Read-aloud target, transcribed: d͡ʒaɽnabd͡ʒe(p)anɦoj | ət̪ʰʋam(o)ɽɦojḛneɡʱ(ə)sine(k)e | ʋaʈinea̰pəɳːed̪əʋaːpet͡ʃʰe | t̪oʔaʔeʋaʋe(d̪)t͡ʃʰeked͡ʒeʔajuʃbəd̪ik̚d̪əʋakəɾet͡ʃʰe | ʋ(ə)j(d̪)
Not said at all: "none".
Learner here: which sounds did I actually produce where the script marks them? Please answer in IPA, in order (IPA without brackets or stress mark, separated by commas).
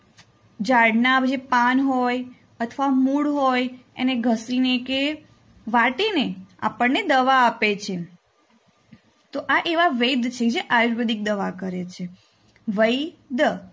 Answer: p, u, ə, k, d̪, ə, d̪